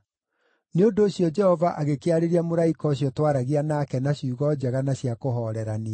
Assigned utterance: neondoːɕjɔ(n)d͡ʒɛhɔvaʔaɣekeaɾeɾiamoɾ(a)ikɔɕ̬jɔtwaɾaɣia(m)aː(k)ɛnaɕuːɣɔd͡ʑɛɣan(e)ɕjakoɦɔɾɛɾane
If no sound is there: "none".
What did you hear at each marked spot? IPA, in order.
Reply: none, a, n, k, a

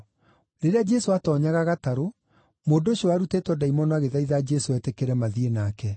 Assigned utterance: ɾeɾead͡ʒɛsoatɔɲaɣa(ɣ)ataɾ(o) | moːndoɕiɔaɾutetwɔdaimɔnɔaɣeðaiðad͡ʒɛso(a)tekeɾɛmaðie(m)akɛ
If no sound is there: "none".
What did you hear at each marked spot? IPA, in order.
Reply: ɣ, o, ɛ, n

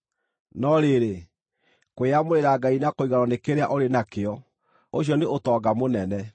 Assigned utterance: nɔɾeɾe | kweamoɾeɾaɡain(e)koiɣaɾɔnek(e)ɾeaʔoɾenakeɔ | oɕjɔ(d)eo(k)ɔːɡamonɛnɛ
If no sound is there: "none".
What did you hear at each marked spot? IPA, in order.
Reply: a, e, n, t

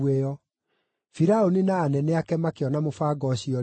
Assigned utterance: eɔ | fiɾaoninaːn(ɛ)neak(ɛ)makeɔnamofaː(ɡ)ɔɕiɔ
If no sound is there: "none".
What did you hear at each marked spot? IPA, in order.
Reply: ɛ, ɛ, ɡ

